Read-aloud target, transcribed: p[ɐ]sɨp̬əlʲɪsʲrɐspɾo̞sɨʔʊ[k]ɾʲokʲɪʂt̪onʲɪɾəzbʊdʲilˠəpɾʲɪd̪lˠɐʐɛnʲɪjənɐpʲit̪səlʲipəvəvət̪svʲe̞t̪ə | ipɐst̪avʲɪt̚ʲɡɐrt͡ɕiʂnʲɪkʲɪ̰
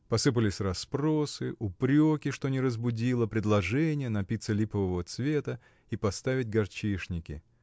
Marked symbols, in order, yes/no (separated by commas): yes, no